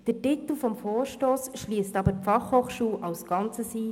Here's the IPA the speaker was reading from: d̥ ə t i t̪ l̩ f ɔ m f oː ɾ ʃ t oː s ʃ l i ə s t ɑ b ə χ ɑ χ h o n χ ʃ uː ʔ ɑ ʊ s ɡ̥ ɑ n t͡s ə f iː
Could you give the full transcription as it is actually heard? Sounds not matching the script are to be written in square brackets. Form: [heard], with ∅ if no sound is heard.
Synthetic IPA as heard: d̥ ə t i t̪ l̩ f ɔ m f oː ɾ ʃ t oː s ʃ l i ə s t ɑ b ə [f] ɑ χ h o [∅] χ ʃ uː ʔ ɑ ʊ s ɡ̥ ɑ n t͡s ə [s] iː

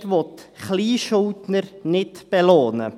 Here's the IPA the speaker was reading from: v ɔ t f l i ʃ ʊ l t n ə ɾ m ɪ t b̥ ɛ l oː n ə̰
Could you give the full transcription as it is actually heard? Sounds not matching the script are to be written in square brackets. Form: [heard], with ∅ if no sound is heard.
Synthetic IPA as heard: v ɔ t [χ] l [iː] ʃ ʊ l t n ə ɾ [n] ɪ t b̥ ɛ l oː n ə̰

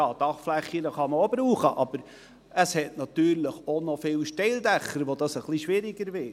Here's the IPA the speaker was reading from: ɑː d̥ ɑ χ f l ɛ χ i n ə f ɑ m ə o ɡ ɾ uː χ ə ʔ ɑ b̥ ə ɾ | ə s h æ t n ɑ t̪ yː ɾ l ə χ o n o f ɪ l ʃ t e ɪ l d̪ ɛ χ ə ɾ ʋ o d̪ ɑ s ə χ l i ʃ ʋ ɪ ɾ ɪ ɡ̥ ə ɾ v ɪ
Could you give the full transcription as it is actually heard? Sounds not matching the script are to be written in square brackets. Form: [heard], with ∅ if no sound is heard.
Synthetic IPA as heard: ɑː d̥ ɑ χ f l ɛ χ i n ə [χ] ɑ m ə o [b] ɾ uː χ ə ʔ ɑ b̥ ə ɾ | ə s h [ɛ] t n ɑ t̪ yː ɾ l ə χ o n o f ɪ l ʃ t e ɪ l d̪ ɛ χ ə ɾ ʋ o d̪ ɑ s ə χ l i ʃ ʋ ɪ ɾ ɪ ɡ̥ ə ɾ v ɪ

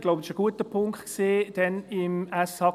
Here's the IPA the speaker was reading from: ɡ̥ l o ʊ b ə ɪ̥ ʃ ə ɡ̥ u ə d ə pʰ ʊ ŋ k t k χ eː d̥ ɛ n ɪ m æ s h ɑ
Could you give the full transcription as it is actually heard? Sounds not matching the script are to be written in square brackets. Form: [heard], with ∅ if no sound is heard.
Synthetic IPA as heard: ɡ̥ l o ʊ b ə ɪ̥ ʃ ə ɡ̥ u ə [t] ə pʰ ʊ ŋ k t k [s] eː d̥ ɛ n ɪ m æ s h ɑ

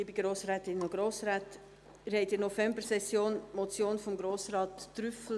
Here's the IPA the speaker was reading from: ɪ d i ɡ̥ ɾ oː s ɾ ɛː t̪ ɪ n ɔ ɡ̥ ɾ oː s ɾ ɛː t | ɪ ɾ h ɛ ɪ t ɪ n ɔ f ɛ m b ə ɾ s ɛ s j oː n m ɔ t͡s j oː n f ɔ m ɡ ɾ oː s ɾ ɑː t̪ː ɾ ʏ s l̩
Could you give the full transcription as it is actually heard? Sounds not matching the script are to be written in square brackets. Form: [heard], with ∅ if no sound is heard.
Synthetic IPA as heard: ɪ [b] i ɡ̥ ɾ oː s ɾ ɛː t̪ ɪ n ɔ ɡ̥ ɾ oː s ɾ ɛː t | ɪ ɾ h ɛ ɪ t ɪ n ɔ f ɛ m b ə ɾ s ɛ s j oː n m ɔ t͡s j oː n f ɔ m ɡ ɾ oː s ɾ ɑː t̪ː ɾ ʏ [f] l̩

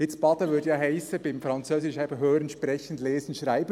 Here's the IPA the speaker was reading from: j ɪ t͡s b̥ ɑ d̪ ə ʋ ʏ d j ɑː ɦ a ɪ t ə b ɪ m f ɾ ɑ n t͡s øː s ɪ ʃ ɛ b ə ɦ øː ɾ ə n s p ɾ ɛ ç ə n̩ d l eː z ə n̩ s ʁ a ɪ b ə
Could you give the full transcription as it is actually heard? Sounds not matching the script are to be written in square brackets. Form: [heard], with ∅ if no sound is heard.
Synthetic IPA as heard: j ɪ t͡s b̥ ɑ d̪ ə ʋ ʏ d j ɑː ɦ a ɪ [s] ə b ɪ m f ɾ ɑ n t͡s øː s ɪ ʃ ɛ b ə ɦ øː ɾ ə n [ʃ] p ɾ ɛ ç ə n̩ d l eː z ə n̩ [ʃ] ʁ a ɪ b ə

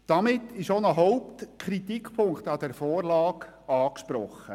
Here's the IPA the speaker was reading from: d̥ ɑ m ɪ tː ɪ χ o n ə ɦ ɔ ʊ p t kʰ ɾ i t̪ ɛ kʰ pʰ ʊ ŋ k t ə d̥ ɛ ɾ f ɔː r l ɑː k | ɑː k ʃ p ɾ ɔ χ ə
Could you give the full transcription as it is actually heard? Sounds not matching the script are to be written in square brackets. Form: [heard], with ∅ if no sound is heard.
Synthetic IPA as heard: d̥ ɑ m ɪ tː ɪ [ʃ] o n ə ɦ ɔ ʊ p t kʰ ɾ i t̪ [i] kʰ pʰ ʊ ŋ k t [ɑ] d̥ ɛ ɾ f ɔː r l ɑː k | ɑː k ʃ p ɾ ɔ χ ə

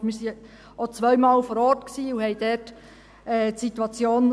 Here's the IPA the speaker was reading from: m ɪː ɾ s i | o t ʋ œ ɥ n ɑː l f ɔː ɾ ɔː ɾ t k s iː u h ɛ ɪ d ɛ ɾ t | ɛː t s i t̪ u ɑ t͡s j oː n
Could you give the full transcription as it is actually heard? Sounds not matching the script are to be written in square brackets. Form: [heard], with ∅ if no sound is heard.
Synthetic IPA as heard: m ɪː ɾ s i | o [t͡s] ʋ œ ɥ [m] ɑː l f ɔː ɾ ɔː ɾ t k s iː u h ɛ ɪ d ɛ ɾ t | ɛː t s i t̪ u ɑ t͡s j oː n

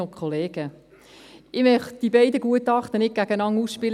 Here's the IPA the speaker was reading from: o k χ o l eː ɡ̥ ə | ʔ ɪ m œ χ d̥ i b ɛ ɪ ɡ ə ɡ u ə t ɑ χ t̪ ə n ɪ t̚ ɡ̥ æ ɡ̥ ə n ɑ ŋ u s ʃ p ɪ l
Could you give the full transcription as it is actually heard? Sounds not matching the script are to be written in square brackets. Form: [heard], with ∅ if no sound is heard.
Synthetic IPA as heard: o k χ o l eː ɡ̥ ə | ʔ ɪ m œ χ d̥ i b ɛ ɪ [d] ə ɡ u ə t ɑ χ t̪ ə n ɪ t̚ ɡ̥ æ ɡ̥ ə n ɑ ŋ u s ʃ p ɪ l

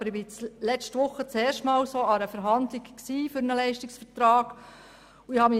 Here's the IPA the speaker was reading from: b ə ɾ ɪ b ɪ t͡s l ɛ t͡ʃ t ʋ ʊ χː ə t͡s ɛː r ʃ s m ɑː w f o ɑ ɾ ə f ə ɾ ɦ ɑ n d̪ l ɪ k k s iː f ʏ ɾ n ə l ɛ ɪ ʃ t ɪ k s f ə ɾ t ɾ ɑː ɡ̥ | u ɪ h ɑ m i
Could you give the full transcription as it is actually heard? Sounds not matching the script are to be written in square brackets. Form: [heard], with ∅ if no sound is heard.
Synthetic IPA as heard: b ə ɾ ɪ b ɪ t͡s l ɛ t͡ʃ t ʋ ʊ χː ə t͡s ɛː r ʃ [t] m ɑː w [s] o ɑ ɾ ə f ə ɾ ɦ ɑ n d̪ l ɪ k k s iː f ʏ ɾ n ə l ɛ ɪ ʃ t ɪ k s f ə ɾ t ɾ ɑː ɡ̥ | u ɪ h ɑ m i

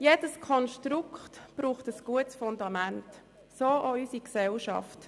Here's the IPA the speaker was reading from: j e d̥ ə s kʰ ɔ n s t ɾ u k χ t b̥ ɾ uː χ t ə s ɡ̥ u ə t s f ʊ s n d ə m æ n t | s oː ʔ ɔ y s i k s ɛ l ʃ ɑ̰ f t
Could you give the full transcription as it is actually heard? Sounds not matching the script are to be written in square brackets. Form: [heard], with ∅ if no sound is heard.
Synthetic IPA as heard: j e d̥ ə s kʰ ɔ n [ʃ] t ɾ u k χ t b̥ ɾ uː χ t ə s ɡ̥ u ə t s f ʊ [∅] n d [ɑ] m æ n t | s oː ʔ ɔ y s i k s ɛ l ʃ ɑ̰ f t

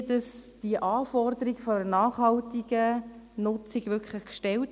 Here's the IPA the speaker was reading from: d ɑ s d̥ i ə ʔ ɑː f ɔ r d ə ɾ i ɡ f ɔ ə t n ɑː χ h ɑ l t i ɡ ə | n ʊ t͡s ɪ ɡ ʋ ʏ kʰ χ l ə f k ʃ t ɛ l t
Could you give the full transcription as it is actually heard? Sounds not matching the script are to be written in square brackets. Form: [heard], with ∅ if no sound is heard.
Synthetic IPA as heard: d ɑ s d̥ i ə ʔ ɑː f ɔ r d ə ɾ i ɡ f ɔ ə [∅] n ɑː χ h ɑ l t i ɡ ə | n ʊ t͡s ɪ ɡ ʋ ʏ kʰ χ l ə [χ] k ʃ t ɛ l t

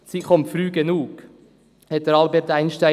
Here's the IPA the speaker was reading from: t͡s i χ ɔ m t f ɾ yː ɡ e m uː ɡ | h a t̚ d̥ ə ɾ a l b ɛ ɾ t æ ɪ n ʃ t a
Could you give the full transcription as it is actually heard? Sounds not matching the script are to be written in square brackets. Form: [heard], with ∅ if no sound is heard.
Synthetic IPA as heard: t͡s i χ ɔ m t f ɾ yː ɡ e [n] uː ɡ | h [ɛ] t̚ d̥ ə ɾ [ɑ] l b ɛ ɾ t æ ɪ n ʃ t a

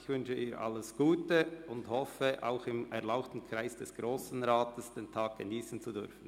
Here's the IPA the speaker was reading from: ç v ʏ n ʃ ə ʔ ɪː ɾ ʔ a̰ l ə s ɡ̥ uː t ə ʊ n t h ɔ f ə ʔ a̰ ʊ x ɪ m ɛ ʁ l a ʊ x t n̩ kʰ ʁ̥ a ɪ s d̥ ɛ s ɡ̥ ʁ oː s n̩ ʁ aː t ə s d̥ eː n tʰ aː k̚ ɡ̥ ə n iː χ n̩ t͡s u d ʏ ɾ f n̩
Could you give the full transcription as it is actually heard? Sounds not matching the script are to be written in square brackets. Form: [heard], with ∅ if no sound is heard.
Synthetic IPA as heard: ç v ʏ n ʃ ə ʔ [iː] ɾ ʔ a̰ l ə s ɡ̥ uː t ə ʊ n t h ɔ f ə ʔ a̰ ʊ x ɪ m ɛ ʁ l a ʊ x t n̩ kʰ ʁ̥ a ɪ s d̥ ɛ s ɡ̥ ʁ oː s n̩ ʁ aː t ə s d̥ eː n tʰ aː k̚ ɡ̥ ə n iː [s] n̩ t͡s u d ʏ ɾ f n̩

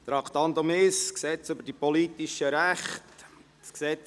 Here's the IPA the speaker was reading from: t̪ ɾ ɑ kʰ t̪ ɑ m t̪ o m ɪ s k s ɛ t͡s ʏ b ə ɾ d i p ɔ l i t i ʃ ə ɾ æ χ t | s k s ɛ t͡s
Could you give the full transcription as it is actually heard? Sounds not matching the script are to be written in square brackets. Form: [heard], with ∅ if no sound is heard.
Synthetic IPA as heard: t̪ ɾ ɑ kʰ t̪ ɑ [n] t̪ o m ɪ s k s ɛ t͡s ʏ b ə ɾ d i p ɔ l i t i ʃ ə ɾ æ χ t | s k s ɛ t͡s

